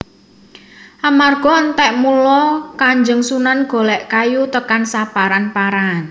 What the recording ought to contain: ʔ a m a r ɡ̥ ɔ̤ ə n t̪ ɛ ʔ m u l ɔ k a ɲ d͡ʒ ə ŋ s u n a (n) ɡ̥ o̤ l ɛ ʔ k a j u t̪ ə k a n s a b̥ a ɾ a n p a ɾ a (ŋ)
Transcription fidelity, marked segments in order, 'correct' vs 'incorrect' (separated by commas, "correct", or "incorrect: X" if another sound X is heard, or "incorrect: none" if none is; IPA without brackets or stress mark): correct, incorrect: n